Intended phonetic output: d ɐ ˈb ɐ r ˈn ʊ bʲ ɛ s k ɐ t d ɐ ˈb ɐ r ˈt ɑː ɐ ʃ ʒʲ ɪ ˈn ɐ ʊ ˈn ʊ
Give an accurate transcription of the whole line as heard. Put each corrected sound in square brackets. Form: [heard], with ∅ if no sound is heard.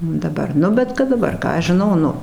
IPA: d ɐ ˈb ɐ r ˈn ʊ bʲ ɛ [t] k ɐ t d ɐ ˈb ɐ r [ˈk] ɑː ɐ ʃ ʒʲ ɪ ˈn ɐ ʊ ˈn ʊ

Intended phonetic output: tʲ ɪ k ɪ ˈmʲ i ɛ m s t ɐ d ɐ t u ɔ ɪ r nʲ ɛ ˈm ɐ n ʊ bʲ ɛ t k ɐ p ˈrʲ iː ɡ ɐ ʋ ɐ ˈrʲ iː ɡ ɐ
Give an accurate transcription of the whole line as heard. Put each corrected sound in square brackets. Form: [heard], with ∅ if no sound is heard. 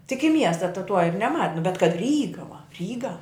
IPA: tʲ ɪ k ɪ ˈmʲ i ɛ [∅] s t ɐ [t] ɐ t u ɔ ɪ r nʲ ɛ ˈm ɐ n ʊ bʲ ɛ t k ɐ [t] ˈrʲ iː ɡ ɐ ʋ ɐ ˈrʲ iː ɡ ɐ

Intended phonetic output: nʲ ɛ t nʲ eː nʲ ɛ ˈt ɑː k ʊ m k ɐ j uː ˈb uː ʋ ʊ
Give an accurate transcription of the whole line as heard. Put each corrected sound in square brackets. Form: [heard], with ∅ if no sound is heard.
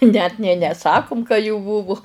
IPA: nʲ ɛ t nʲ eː nʲ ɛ [ˈs] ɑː k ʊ m k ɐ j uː ˈb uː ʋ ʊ

